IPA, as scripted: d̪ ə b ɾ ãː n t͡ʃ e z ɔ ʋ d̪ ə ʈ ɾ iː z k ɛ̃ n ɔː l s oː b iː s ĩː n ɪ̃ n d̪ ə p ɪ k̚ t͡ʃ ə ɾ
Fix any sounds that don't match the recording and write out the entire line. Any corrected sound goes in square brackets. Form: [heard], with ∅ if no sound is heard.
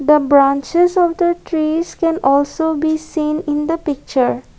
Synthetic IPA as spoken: d̪ ə b ɾ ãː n t͡ʃ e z ɔ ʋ d̪ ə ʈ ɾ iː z k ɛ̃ n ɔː l s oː b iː s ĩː n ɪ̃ n d̪ ə p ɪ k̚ t͡ʃ ə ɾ